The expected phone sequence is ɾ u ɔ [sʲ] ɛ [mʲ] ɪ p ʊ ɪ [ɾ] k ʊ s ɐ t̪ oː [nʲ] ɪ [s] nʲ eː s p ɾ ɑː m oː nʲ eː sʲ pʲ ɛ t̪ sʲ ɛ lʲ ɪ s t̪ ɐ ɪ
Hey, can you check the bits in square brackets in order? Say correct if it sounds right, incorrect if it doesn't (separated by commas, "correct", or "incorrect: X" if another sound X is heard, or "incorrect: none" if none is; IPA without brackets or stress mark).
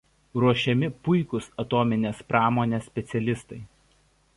incorrect: ʃʲ, correct, incorrect: none, incorrect: mʲ, incorrect: none